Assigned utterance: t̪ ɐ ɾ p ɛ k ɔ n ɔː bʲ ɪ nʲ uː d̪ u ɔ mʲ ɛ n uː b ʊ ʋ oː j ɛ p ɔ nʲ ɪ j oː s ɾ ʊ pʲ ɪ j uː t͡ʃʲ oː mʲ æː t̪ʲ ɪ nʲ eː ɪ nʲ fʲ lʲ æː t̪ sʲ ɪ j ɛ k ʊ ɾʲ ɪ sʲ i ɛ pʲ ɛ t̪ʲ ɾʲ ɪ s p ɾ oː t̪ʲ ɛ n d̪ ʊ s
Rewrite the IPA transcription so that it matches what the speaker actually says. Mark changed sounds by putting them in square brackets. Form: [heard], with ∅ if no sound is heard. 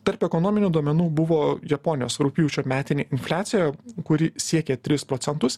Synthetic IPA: t̪ ɐ ɾ p ɛ k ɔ n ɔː [mʲ] ɪ nʲ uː d̪ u ɔ mʲ ɛ n uː b ʊ ʋ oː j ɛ p ɔ nʲ ɪ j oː s ɾ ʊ pʲ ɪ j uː t͡ʃʲ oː mʲ æː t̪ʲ ɪ nʲ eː ɪ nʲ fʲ lʲ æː t̪ sʲ ɪ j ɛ k ʊ ɾʲ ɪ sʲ i ɛ [kʲ] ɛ t̪ʲ ɾʲ ɪ s p ɾ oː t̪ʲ ɛ n [t̪] ʊ s